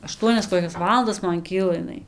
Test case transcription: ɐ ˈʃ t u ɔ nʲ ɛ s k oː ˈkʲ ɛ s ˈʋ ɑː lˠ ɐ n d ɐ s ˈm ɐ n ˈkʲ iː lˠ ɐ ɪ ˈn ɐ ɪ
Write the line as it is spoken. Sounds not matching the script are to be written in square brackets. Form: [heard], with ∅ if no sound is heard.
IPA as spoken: ɐ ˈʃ t u ɔ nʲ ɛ s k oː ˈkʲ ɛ s ˈʋ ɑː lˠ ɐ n d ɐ s ˈm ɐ n ˈkʲ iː lˠ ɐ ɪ ˈn ɐ ɪ